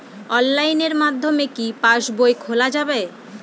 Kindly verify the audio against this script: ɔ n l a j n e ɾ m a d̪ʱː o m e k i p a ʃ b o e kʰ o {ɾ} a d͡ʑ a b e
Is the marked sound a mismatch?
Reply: yes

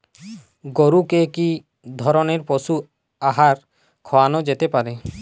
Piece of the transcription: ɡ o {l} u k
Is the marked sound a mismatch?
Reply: yes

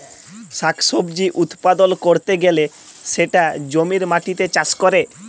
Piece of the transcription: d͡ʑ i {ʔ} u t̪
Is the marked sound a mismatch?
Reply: no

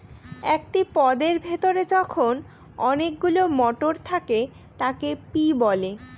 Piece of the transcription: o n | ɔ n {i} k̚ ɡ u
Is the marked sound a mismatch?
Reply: yes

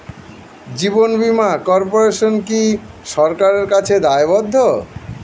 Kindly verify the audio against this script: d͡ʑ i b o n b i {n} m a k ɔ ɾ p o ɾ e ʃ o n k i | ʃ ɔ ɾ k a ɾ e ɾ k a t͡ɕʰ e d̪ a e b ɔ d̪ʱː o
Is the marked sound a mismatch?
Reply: yes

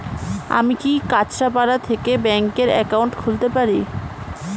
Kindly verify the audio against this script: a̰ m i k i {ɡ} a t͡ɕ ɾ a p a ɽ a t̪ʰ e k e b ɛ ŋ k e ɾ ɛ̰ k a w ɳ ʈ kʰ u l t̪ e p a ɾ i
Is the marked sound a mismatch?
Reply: yes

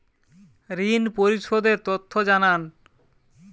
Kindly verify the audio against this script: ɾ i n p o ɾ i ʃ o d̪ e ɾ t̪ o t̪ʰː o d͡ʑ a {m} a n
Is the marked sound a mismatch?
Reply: yes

